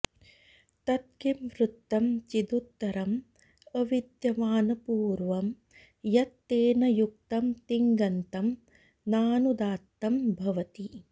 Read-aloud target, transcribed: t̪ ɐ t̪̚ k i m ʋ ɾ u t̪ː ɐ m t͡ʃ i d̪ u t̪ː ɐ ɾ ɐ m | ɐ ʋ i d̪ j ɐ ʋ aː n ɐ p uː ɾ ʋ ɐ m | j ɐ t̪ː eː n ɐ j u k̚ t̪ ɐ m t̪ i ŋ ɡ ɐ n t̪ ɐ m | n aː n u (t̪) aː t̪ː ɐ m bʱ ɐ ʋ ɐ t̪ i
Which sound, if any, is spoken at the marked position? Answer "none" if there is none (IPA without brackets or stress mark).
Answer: d̪